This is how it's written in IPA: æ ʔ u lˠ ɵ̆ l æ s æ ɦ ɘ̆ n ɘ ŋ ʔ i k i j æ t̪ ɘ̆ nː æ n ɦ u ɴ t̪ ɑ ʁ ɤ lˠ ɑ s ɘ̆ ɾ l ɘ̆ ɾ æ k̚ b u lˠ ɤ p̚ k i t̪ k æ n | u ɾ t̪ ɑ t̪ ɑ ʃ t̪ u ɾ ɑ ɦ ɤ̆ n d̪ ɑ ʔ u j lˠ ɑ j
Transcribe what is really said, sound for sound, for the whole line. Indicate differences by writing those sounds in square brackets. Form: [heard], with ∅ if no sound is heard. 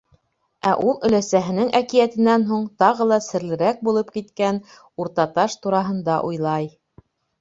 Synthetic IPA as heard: æ ʔ u lˠ ɵ̆ l æ s æ ɦ ɘ̆ n ɘ ŋ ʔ [æ] k i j æ t̪ ɘ̆ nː æ n ɦ u ɴ t̪ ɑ ʁ ɤ lˠ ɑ s ɘ̆ ɾ l ɘ̆ ɾ æ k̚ b u lˠ ɤ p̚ k i t̪ k æ n | u ɾ t̪ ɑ t̪ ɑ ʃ t̪ u ɾ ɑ ɦ ɤ̆ n d̪ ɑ ʔ u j lˠ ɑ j

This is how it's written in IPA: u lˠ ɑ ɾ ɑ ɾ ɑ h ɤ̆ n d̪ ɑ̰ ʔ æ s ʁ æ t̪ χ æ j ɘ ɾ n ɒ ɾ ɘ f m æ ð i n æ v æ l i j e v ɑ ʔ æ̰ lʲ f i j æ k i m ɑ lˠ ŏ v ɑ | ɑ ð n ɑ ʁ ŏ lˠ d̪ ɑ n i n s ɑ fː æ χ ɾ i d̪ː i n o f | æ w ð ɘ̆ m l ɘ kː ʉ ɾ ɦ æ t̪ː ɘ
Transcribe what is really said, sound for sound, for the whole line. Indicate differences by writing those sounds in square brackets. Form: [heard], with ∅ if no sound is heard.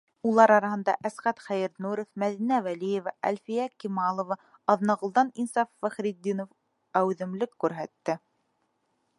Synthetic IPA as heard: u lˠ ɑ ɾ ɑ ɾ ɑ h ɤ̆ n d̪ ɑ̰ ʔ æ s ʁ æ t̪ χ æ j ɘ ɾ n [u] ɾ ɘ f m æ ð i n æ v æ l i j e v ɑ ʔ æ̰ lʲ f i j æ k i m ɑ lˠ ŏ v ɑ | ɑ ð n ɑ ʁ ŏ lˠ d̪ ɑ n i n s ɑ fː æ χ ɾ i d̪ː i n o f | æ w ð ɘ̆ m l ɘ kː ʉ ɾ ɦ æ t̪ː ɘ

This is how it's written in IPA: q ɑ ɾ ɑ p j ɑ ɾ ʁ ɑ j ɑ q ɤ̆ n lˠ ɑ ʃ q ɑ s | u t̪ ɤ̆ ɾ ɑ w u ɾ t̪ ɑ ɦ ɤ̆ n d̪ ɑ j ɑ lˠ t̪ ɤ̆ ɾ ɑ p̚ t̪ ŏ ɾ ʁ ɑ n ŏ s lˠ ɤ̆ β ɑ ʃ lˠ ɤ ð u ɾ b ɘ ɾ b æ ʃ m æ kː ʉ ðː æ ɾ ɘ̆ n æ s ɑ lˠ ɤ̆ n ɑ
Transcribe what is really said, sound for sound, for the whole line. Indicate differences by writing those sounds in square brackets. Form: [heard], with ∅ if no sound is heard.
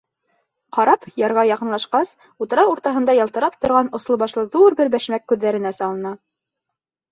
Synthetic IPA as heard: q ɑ ɾ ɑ p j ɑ ɾ ʁ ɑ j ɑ q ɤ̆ n lˠ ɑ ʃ q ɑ s | u t̪ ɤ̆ ɾ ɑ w u ɾ t̪ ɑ ɦ ɤ̆ n d̪ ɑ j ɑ lˠ t̪ ɤ̆ ɾ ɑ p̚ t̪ ŏ ɾ ʁ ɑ n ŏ s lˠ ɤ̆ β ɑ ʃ lˠ ɤ ð u ɾ b ɘ ɾ b æ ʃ m æ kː ʉ ðː æ ɾ ɘ̆ n æ s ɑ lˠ ɤ̆ n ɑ

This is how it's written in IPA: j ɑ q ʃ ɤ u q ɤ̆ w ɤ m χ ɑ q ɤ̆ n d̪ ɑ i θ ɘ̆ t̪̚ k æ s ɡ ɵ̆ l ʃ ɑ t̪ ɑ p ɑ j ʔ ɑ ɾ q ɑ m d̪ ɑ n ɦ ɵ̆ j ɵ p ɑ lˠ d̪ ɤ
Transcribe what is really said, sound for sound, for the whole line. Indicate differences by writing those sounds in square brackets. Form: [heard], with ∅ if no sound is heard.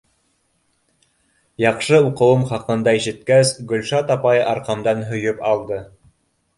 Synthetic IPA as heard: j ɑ q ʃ ɤ u q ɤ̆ w ɤ m χ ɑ q ɤ̆ n d̪ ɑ i [ʃ] ɘ̆ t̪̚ k æ s ɡ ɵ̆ l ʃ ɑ t̪ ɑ p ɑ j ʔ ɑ ɾ q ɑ m d̪ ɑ n ɦ ɵ̆ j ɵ p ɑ lˠ d̪ ɤ

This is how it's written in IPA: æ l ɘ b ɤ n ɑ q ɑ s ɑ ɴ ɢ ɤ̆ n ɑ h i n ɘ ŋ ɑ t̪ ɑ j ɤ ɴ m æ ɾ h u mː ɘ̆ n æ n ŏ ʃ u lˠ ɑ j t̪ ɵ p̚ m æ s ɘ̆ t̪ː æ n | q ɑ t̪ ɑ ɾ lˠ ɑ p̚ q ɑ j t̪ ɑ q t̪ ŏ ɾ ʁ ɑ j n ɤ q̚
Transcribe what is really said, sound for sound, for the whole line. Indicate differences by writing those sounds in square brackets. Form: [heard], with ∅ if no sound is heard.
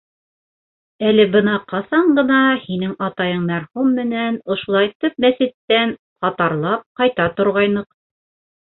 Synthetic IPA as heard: æ l ɘ b ɤ n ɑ q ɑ s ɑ ɴ ɢ ɤ̆ n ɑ h i n ɘ ŋ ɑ t̪ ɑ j ɤ ɴ m æ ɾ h u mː ɘ̆ n æ n ŏ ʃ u lˠ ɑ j t̪ ɵ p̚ m æ s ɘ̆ t̪ː æ n | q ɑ t̪ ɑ ɾ lˠ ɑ p̚ q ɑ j t̪ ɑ [∅] t̪ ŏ ɾ ʁ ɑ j n ɤ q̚

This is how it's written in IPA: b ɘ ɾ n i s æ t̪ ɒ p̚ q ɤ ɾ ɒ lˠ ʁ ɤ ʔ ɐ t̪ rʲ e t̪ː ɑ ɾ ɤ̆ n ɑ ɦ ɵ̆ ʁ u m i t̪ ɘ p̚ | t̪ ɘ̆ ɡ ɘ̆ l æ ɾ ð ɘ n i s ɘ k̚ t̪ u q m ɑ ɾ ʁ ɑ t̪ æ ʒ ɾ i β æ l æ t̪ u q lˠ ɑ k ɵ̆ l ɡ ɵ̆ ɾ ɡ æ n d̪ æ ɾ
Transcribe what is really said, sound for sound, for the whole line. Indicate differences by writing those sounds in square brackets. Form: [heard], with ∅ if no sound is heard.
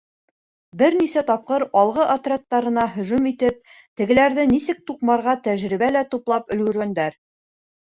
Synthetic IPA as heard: b ɘ ɾ n i s æ t̪ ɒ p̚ q ɤ ɾ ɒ lˠ ʁ ɤ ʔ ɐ t̪ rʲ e t̪ː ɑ ɾ ɤ̆ n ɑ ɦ ɵ̆ [ʒ] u m i t̪ ɘ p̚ | t̪ ɘ̆ ɡ ɘ̆ l æ ɾ ð ɘ n i s ɘ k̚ t̪ u q m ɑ ɾ ʁ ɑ t̪ æ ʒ ɾ i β æ l æ t̪ u [p] lˠ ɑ [p] ɵ̆ l ɡ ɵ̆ ɾ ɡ æ n d̪ æ ɾ

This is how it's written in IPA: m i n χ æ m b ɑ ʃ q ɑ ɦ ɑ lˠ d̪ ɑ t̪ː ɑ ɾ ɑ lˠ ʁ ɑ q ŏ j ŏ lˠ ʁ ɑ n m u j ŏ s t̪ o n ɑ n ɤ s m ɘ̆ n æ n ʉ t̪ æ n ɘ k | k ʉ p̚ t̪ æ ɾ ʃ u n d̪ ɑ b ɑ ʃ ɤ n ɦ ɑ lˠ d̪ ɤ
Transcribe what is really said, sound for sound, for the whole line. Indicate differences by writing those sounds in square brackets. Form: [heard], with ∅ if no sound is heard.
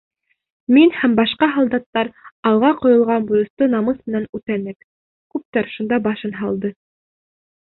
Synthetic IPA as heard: m i n [h] æ m b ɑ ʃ q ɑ ɦ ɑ lˠ d̪ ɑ t̪ː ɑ ɾ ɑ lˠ ʁ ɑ q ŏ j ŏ lˠ ʁ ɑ n [b] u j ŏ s t̪ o n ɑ [m] ɤ s m ɘ̆ n æ n ʉ t̪ æ n ɘ k | k ʉ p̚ t̪ æ ɾ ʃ u n d̪ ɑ b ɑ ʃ ɤ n ɦ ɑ lˠ d̪ ɤ

